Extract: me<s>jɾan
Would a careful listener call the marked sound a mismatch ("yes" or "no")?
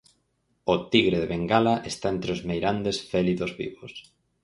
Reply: yes